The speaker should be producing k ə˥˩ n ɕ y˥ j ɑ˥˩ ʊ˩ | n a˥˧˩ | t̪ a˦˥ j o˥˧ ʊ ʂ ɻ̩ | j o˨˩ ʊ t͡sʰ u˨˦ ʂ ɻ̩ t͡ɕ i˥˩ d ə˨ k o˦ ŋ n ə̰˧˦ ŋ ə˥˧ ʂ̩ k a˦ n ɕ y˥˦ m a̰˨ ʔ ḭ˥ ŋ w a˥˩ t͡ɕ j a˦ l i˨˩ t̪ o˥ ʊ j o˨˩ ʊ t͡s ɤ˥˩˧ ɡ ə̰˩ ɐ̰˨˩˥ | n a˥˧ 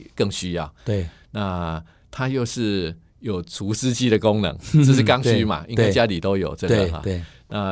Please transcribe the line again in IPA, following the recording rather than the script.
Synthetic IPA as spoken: k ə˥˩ ŋ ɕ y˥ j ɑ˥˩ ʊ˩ | n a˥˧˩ | t̪ʰ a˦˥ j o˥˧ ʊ ʂ ɻ̩ | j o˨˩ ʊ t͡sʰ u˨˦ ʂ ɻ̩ t͡ɕ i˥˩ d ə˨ k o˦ ŋ n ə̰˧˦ ŋ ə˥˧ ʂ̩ k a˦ ŋ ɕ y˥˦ m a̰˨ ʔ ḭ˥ ŋ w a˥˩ t͡ɕ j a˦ l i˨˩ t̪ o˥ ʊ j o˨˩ ʊ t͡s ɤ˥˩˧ ɡ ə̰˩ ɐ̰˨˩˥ | n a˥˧